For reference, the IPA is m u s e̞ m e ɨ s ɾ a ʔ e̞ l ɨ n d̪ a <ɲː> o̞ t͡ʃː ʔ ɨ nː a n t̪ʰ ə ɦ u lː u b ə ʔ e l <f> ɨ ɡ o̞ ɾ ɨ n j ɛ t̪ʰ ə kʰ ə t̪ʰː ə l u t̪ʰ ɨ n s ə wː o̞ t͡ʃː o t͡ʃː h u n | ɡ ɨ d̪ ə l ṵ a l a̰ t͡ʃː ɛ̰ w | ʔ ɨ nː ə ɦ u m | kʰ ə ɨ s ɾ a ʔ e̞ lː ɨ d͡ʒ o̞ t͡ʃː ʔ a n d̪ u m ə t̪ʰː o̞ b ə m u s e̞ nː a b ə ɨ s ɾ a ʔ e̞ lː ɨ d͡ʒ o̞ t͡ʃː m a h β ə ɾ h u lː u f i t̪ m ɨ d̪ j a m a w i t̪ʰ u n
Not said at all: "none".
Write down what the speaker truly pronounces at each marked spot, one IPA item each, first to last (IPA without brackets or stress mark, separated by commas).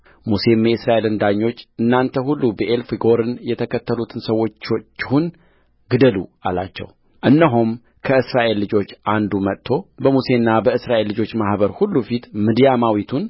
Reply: ɲː, f